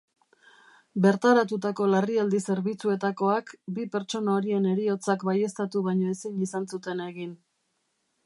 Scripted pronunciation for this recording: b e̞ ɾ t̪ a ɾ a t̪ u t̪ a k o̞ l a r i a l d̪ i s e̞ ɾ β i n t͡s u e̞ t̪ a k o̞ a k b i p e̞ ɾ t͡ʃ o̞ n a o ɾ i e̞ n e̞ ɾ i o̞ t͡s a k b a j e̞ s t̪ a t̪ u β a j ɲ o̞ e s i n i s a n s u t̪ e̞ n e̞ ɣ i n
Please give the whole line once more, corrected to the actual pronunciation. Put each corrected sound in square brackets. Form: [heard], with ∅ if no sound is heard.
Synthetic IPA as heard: b e̞ ɾ t̪ a ɾ a t̪ u t̪ a k o̞ l a r i a l d̪ i s e̞ ɾ β i [∅] t͡s u e̞ t̪ a k o̞ a k b i p e̞ ɾ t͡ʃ o̞ n a o ɾ i e̞ n e̞ ɾ i o̞ t͡s a k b a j e̞ s t̪ a t̪ u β a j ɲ o̞ e s i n i s a n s u t̪ e̞ n e̞ ɣ i n